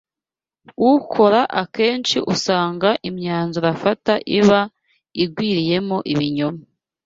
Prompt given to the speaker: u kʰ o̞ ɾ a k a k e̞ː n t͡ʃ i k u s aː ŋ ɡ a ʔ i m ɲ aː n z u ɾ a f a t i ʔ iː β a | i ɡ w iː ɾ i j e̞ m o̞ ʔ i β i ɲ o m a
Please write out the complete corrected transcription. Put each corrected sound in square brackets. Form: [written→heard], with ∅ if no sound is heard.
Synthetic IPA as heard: u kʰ o̞ ɾ a [k→ʔ] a k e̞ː n t͡ʃ i [k→ʔ] u s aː ŋ ɡ a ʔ i m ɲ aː n z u ɾ a f a t [i→a] ʔ [iː→i] β a | i ɡ w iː ɾ i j e̞ m o̞ ʔ i β i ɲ o m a